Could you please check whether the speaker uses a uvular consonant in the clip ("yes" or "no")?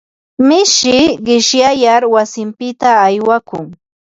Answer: yes